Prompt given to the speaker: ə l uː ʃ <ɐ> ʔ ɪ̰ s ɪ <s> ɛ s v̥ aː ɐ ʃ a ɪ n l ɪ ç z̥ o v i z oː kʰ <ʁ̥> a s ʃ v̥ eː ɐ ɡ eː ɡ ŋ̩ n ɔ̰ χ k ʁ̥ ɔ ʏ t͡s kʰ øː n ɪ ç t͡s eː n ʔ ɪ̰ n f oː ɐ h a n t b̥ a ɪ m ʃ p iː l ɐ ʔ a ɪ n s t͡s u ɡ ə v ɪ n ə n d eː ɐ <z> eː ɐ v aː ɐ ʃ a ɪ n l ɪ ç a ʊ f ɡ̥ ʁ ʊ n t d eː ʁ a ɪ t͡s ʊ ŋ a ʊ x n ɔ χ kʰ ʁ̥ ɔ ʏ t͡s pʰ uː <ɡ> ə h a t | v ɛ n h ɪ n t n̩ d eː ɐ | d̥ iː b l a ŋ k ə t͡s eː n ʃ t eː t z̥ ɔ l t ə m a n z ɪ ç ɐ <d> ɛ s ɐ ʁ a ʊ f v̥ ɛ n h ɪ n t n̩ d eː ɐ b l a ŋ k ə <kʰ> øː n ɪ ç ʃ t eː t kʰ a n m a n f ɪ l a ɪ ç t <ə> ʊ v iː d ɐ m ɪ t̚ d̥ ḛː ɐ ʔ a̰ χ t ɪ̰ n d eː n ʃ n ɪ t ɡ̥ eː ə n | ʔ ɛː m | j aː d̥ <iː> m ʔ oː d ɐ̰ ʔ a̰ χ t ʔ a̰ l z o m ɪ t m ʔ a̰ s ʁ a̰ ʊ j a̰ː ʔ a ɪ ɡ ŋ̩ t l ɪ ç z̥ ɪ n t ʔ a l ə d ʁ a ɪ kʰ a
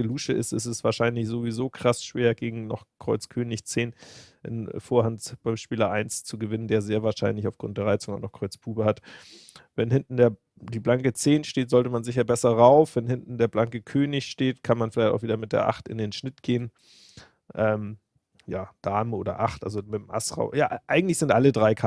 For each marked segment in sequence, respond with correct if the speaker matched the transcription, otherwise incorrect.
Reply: incorrect: ə, correct, correct, correct, incorrect: b, incorrect: b, correct, incorrect: a, incorrect: aː

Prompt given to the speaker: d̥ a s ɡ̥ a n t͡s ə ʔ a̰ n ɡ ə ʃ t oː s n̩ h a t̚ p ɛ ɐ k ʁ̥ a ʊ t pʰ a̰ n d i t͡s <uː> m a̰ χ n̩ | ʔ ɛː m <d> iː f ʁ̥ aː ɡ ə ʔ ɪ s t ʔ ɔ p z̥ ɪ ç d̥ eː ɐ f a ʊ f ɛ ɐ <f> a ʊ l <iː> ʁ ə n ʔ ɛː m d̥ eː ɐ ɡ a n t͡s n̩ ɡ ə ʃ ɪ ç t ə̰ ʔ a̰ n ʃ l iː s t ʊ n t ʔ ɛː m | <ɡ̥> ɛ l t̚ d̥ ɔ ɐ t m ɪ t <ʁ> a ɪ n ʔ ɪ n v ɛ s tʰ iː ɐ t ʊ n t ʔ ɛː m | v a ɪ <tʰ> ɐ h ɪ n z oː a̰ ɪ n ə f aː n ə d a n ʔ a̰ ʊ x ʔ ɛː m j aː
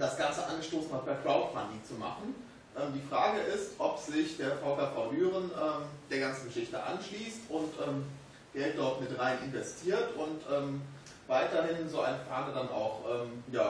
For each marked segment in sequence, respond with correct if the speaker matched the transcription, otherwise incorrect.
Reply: incorrect: u, correct, correct, incorrect: yː, correct, correct, incorrect: t

